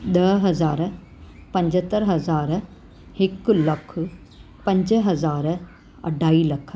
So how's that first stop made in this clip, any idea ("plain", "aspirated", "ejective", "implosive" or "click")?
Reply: implosive